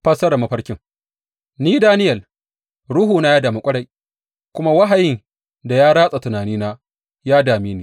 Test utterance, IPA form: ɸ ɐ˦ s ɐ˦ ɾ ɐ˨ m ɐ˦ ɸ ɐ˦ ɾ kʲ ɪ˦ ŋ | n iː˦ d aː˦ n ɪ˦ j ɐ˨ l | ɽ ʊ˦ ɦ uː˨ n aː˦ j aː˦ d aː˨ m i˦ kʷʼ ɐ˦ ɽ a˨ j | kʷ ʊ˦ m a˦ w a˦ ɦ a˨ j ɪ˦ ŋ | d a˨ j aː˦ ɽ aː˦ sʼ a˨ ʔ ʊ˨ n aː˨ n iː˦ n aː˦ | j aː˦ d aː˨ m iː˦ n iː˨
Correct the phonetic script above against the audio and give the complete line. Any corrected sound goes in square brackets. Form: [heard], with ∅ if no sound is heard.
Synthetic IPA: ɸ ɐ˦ s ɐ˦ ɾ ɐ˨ m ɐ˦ ɸ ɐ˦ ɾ kʲ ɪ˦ ŋ | n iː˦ d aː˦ n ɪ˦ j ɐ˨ l | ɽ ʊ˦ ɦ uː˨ n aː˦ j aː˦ d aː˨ m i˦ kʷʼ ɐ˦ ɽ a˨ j | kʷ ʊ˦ m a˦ w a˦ ɦ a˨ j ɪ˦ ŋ | d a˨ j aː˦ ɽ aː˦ sʼ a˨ [t] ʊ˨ n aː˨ n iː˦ n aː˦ | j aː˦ d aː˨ m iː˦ n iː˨